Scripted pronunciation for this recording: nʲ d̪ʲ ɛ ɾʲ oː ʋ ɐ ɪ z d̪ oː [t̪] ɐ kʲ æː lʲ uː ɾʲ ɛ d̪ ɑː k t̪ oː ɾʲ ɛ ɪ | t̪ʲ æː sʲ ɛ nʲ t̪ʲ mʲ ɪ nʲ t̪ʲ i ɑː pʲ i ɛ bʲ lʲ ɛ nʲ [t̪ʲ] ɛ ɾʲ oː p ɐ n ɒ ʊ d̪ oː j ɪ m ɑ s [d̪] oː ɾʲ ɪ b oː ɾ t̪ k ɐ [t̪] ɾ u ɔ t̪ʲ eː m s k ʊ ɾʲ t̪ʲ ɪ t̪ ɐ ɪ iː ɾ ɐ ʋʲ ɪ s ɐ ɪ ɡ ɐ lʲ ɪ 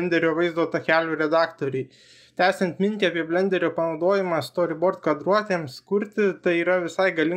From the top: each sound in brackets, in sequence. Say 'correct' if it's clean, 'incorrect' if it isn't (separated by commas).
correct, incorrect, incorrect, incorrect